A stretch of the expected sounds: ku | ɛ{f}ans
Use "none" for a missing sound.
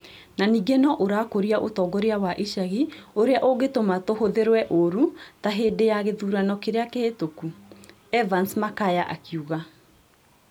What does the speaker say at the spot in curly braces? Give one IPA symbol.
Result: v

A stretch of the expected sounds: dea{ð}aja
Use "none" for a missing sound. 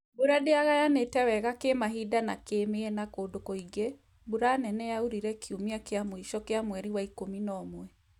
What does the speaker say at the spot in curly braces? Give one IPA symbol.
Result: ɣ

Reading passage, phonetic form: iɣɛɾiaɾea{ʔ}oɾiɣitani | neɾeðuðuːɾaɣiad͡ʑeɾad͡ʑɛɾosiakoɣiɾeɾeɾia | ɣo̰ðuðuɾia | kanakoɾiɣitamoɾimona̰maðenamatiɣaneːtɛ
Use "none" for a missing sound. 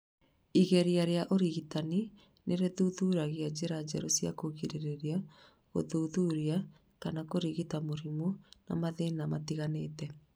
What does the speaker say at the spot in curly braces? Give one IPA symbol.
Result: ʔ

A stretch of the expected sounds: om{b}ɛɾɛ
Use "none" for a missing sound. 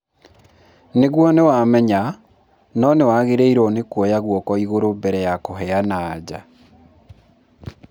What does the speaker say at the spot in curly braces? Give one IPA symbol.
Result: b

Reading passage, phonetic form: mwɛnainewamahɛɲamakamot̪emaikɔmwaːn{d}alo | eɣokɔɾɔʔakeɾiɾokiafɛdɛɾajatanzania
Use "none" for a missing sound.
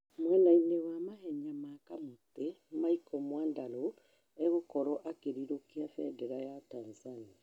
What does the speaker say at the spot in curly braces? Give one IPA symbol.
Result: d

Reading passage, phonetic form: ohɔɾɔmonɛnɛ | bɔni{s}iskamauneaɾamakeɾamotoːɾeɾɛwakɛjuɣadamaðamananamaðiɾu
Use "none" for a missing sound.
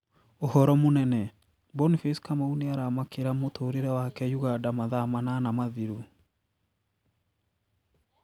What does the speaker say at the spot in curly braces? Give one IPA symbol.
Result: f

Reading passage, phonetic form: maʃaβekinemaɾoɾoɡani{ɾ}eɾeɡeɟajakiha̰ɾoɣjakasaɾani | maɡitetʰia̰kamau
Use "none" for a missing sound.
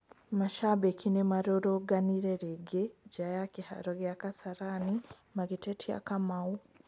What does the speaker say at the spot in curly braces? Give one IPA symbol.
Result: ɾ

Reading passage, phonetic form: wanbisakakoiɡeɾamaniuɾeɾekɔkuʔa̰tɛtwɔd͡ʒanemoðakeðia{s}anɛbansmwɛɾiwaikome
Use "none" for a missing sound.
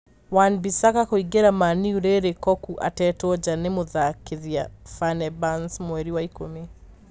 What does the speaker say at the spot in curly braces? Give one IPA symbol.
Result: f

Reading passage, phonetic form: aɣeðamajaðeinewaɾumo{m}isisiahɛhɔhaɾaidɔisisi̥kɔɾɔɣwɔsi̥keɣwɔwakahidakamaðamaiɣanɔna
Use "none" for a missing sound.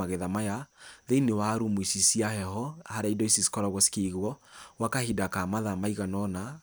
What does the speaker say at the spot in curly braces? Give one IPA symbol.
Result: none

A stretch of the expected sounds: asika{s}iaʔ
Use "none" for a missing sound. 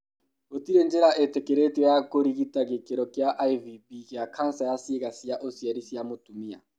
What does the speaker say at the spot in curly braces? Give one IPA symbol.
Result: s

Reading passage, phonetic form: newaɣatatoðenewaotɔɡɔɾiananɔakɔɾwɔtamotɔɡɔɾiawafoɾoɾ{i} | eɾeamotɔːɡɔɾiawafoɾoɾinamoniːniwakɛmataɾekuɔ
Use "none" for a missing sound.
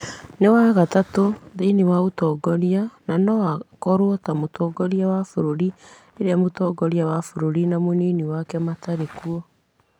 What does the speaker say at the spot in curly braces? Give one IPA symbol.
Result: i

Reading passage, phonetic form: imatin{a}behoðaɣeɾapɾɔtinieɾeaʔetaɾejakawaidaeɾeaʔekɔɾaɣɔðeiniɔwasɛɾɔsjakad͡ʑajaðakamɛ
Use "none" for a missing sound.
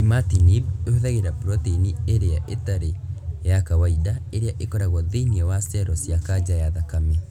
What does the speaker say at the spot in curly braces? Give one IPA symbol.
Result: i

